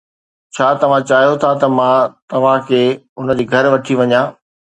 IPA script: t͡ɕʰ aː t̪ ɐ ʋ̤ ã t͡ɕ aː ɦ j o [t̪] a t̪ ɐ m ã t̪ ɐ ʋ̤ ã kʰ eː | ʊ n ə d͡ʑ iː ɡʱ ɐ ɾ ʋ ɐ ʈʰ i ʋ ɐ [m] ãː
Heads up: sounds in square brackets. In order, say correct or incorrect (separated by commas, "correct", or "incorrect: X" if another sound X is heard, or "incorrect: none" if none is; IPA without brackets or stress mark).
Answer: incorrect: t̪ʰ, incorrect: ɲ